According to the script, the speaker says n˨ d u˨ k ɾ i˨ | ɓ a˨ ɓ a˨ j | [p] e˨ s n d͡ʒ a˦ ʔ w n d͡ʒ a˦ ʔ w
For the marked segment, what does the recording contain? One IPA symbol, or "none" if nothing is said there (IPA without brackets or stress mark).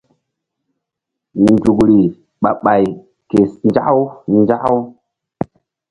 k